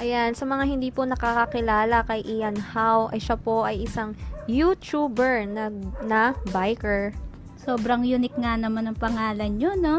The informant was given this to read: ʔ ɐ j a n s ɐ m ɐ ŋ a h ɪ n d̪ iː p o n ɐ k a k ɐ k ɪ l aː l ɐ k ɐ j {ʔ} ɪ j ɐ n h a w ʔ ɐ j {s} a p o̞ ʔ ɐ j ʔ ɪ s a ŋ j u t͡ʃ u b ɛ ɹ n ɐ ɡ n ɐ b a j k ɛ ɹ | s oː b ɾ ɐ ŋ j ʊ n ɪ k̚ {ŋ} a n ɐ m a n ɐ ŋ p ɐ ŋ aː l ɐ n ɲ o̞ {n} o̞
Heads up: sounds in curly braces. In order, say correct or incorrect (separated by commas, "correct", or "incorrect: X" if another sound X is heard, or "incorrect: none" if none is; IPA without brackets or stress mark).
correct, incorrect: ʃ, correct, correct